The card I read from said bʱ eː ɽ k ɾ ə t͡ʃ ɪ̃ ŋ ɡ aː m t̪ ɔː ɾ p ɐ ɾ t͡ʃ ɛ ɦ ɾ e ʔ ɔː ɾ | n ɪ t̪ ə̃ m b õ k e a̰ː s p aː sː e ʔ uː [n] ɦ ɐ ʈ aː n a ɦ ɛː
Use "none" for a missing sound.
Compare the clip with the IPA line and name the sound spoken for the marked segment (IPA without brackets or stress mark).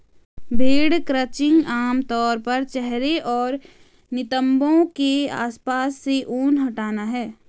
n